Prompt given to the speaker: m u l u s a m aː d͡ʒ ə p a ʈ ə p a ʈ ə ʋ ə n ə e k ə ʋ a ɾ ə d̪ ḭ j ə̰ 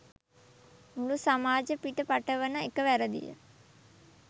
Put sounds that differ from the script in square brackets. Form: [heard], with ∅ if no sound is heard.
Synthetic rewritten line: m u l u s a m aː d͡ʒ ə p [i] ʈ ə p a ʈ ə ʋ ə n ə e k ə ʋ [æ] ɾ ə d̪ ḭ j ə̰